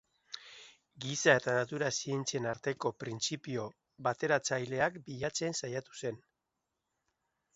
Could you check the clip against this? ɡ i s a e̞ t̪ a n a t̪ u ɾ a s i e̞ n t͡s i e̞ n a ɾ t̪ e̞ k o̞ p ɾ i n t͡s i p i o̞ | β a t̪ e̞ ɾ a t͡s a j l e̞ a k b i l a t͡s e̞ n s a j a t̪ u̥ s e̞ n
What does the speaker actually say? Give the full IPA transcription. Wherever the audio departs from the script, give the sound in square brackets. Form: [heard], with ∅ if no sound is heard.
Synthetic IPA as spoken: ɡ i s a e̞ t̪ a n a t̪ u ɾ a s i e̞ n t͡s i e̞ n a ɾ t̪ e̞ k o̞ p ɾ i n t͡s i p i o̞ | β a t̪ e̞ ɾ a t͡s a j l e̞ a k b i [ʎ] a t͡s e̞ n s a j a t̪ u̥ s e̞ n